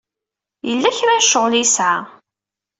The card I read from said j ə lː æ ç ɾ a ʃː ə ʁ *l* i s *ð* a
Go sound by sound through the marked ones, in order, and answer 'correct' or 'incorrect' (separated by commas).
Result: correct, incorrect